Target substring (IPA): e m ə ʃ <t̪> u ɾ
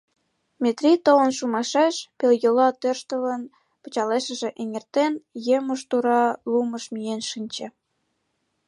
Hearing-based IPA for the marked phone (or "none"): t̪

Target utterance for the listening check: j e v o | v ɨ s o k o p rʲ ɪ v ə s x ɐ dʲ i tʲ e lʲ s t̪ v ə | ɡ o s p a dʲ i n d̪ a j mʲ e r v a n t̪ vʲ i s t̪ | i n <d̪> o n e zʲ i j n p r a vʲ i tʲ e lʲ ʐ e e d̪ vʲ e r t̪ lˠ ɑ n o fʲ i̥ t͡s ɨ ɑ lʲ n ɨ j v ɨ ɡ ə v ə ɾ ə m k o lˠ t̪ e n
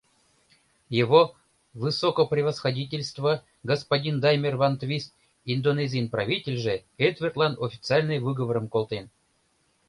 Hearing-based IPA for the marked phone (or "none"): d̪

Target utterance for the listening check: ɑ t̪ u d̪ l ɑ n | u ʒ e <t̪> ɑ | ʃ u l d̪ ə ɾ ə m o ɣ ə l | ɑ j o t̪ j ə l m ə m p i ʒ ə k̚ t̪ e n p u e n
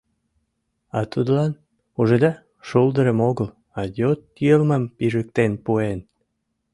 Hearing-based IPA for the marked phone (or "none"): d̪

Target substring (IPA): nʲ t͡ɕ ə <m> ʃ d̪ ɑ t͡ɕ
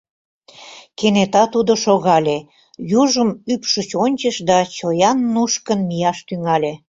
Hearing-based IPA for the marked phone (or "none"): none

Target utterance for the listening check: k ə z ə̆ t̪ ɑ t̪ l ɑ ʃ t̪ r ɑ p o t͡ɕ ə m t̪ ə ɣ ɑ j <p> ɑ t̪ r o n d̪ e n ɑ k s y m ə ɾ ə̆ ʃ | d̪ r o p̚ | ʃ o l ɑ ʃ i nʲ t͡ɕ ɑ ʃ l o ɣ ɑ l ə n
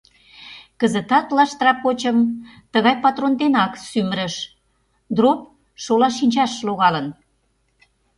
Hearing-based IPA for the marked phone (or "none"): p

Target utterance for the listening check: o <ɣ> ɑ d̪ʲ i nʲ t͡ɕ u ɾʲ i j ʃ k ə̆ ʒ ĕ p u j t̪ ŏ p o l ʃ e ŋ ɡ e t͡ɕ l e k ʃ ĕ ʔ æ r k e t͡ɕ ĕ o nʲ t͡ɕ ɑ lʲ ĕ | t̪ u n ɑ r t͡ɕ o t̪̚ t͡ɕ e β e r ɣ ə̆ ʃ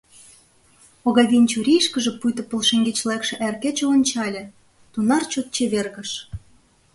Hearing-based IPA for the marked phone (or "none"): ɣ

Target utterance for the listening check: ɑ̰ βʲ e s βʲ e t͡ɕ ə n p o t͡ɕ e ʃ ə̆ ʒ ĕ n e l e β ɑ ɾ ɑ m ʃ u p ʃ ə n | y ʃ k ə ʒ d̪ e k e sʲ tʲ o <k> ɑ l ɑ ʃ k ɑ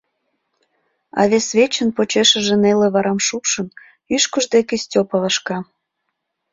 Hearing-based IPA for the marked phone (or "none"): p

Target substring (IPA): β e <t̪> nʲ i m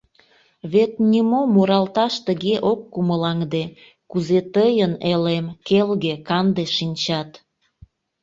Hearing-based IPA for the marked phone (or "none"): t̪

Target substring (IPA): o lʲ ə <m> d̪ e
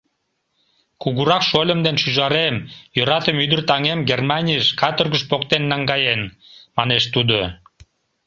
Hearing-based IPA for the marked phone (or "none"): m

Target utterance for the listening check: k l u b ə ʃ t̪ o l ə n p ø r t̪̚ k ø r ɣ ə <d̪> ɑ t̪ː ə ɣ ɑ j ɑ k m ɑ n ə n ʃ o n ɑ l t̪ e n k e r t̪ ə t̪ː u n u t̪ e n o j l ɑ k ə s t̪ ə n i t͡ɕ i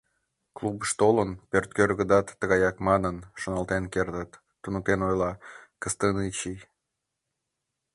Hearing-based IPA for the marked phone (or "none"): d̪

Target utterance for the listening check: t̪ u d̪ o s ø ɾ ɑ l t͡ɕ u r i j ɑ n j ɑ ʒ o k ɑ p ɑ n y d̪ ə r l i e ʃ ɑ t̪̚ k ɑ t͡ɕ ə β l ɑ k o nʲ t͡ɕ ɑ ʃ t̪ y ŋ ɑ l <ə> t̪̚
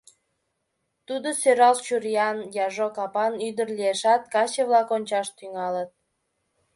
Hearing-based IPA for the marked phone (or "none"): ə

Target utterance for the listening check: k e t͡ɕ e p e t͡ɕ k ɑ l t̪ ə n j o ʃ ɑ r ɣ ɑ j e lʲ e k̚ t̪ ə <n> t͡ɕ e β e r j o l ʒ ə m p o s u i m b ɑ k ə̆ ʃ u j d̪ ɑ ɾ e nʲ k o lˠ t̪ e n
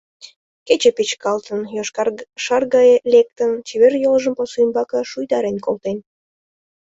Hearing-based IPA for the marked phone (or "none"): n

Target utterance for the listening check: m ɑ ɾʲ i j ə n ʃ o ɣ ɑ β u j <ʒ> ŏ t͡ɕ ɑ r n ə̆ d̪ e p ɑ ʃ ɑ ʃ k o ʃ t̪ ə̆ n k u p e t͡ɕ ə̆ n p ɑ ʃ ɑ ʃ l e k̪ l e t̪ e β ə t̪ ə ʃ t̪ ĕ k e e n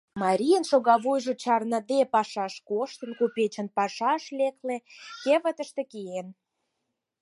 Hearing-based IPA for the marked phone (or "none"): ʒ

